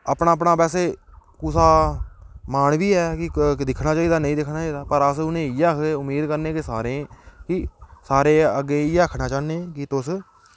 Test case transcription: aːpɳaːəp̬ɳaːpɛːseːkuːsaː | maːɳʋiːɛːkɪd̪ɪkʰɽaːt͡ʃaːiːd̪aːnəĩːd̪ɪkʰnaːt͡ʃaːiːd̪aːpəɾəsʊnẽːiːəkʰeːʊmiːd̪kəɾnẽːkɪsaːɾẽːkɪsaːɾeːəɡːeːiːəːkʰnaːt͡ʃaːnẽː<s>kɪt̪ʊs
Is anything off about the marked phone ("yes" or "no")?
yes